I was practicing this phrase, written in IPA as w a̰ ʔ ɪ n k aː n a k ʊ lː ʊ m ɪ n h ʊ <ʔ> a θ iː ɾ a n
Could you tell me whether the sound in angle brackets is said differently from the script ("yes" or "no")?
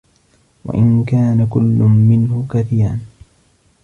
yes